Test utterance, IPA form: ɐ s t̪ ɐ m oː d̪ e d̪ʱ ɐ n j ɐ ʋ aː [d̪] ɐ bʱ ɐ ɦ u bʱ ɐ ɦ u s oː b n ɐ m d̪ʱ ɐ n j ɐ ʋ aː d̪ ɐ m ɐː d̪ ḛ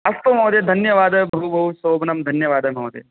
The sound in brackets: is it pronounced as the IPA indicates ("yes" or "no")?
yes